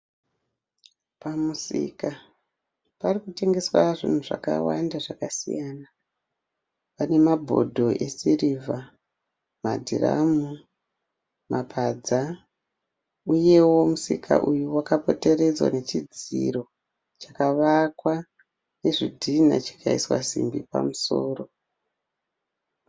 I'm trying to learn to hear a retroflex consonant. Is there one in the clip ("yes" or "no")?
yes